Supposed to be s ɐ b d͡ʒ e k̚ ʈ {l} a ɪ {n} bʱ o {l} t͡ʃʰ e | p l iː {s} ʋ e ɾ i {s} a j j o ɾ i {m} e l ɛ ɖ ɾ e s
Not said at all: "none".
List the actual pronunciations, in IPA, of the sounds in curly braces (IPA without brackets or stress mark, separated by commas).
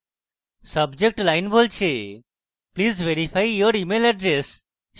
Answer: l, n, l, z, f, m